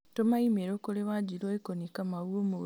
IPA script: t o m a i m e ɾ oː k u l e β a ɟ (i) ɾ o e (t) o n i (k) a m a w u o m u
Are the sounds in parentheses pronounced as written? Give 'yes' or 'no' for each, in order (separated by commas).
yes, no, yes